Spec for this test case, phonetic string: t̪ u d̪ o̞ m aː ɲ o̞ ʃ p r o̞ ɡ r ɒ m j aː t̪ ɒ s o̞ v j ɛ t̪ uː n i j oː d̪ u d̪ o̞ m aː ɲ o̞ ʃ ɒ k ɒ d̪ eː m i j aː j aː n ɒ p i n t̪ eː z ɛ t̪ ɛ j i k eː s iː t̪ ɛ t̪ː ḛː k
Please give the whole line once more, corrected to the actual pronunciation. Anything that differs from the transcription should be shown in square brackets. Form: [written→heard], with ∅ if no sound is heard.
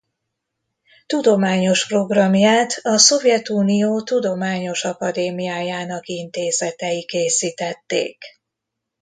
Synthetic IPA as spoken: t̪ u d̪ o̞ m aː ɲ o̞ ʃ p r o̞ ɡ r ɒ m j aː t̪ ɒ s o̞ v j ɛ t̪ uː n i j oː [d̪→t̪] u d̪ o̞ m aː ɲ o̞ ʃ ɒ k ɒ d̪ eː m i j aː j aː n ɒ [p→k] i n t̪ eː z ɛ t̪ ɛ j i k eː s iː t̪ ɛ t̪ː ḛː k